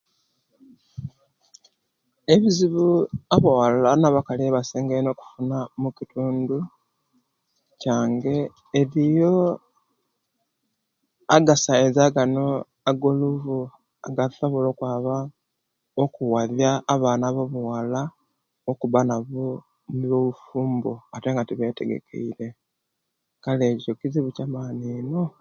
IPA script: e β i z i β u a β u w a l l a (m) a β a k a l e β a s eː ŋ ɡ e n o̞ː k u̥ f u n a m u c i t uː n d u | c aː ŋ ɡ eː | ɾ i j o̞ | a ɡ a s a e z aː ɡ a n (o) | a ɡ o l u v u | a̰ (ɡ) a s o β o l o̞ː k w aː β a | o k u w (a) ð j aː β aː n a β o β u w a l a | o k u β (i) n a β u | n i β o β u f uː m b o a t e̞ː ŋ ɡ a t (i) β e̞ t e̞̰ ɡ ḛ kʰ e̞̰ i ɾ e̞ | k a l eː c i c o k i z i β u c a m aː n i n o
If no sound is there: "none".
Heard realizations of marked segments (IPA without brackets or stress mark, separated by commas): n, o, ɡ, a, a, i